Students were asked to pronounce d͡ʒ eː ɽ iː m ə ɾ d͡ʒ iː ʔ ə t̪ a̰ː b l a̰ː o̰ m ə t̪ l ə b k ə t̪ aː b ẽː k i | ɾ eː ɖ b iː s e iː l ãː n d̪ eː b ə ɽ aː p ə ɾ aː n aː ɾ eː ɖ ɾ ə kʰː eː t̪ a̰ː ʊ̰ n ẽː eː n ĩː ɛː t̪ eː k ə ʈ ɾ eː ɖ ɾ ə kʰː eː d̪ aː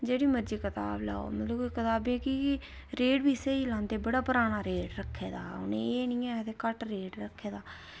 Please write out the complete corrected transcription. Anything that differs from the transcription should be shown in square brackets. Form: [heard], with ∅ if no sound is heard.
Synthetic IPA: d͡ʒ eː ɽ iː m ə ɾ d͡ʒ iː [k] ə t̪ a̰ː b l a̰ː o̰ m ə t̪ l ə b k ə t̪ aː b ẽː k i | ɾ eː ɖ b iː s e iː l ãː n d̪ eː b ə ɽ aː p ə ɾ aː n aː ɾ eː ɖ ɾ ə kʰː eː [d̪] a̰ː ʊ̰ n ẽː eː n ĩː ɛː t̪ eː k ə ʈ ɾ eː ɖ ɾ ə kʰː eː d̪ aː